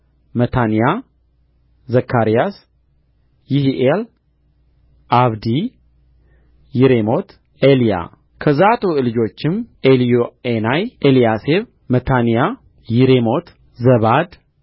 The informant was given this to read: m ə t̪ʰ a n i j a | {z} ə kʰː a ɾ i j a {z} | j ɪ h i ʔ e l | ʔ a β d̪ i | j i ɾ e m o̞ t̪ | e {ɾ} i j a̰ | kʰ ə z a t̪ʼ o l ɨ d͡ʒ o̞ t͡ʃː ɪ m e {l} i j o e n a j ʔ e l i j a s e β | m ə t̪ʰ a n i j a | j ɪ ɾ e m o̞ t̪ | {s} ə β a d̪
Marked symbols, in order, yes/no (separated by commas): yes, no, no, yes, no